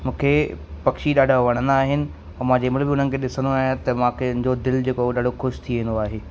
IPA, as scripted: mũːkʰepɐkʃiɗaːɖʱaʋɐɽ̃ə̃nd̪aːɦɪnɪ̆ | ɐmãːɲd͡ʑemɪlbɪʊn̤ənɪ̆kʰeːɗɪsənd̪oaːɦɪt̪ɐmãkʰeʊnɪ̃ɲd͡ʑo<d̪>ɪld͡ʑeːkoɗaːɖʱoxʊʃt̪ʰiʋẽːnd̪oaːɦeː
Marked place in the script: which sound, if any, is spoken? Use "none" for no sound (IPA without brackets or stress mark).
d̪